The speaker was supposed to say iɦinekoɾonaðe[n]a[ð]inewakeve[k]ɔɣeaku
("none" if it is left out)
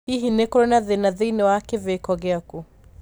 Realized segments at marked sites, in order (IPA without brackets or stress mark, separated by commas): n, ð, k